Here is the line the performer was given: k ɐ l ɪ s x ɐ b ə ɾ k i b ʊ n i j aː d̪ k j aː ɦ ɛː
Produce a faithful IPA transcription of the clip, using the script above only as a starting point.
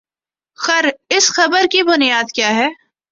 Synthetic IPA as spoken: x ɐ ɾ ɪ s x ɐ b ə ɾ k i b ʊ n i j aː d̪ k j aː ɦ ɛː